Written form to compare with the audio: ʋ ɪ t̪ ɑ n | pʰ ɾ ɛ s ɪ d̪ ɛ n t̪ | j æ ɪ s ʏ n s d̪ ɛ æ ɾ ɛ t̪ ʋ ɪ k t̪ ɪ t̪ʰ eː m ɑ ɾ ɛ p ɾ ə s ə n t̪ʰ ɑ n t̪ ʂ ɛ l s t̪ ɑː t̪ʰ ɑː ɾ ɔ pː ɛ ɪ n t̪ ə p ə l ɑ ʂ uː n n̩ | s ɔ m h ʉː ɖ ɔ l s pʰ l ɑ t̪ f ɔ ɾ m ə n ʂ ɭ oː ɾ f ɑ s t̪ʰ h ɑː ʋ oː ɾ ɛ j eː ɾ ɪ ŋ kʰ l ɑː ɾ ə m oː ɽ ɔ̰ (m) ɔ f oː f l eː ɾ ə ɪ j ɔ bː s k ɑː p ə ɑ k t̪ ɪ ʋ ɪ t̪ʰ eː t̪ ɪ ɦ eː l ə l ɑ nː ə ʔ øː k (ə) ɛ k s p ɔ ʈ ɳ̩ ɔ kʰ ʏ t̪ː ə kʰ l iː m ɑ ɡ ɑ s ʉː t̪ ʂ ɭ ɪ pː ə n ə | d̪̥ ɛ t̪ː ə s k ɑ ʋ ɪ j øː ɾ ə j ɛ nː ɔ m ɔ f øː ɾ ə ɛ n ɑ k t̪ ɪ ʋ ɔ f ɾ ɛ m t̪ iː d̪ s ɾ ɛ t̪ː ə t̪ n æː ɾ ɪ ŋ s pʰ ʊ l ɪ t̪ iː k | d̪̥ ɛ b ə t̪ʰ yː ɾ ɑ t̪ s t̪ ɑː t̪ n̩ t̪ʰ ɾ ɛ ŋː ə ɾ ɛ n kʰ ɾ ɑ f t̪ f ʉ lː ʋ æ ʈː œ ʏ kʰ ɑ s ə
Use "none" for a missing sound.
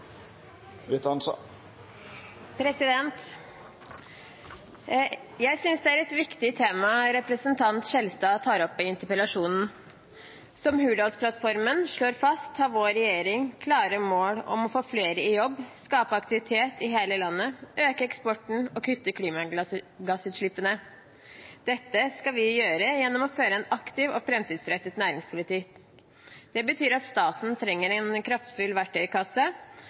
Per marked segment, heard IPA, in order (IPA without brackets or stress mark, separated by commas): m, ə